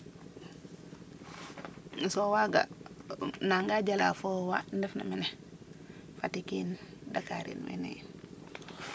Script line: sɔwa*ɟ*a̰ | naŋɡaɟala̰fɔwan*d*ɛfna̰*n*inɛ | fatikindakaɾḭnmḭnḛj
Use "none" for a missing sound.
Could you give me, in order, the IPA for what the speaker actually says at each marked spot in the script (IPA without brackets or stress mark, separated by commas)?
ɡ, d, m